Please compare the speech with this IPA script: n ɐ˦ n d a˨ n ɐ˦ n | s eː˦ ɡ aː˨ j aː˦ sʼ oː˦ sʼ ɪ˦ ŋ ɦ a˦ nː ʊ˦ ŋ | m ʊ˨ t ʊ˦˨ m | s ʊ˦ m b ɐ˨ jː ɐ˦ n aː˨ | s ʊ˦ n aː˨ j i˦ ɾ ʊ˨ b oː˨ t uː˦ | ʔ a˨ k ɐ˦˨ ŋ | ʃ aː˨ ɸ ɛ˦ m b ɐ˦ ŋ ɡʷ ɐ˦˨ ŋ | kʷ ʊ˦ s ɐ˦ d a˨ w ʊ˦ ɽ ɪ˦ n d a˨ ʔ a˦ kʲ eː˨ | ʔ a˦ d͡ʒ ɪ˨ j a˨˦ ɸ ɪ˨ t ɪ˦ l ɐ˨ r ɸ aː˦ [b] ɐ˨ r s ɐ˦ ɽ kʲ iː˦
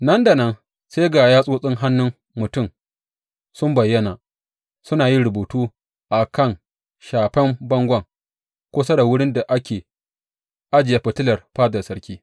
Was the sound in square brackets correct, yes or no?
no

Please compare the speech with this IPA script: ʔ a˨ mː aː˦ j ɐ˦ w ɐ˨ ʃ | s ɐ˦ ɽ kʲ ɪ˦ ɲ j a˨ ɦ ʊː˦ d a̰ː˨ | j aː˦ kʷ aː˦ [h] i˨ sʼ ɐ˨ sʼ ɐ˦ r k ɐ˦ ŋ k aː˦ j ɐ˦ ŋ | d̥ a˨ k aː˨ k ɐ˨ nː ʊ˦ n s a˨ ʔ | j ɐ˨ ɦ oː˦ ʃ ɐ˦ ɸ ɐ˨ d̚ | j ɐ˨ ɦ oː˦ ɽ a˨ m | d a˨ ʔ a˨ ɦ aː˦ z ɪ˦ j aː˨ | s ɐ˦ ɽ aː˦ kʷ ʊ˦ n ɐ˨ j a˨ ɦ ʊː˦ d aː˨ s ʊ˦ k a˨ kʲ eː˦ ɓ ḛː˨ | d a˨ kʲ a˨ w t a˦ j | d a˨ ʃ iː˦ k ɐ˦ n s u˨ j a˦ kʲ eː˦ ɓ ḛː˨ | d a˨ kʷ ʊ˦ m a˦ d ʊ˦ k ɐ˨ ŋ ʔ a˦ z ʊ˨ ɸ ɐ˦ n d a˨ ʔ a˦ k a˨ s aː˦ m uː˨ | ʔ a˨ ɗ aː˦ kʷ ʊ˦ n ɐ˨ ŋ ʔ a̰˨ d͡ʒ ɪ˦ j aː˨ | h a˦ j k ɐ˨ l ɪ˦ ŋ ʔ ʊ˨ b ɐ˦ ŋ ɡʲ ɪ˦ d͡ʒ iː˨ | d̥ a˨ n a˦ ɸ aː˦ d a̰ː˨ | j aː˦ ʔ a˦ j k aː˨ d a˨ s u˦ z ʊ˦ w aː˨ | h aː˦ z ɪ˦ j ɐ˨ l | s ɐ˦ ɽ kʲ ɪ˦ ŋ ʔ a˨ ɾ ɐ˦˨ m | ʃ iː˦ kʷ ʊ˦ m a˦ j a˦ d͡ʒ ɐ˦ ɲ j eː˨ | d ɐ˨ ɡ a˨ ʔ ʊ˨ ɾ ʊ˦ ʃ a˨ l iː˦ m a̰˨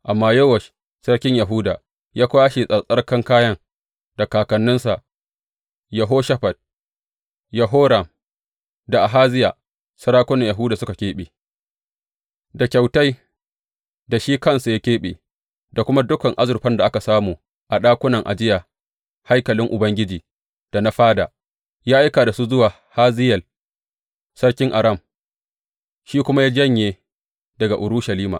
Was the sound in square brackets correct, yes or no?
no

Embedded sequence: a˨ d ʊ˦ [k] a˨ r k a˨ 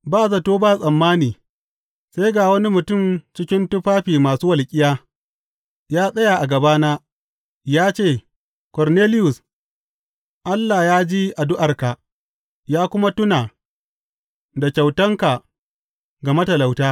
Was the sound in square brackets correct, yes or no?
no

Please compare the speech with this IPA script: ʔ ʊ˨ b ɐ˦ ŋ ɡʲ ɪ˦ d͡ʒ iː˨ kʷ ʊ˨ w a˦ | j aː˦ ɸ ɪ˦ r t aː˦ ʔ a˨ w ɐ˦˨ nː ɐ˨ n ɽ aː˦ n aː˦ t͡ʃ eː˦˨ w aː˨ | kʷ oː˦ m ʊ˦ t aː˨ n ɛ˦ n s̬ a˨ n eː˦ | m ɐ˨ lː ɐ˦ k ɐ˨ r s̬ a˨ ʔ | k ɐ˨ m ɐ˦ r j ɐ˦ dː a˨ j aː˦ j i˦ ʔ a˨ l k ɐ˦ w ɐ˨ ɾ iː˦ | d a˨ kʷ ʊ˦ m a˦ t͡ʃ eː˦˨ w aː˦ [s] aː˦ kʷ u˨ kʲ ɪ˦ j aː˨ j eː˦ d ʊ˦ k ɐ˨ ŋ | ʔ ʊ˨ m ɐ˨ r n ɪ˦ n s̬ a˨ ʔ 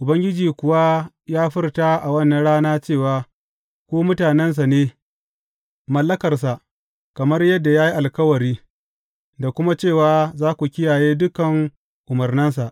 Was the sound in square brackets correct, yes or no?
no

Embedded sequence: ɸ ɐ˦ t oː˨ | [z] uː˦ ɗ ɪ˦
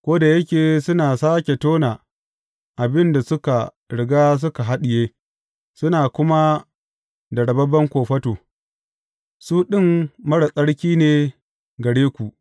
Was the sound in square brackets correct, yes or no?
no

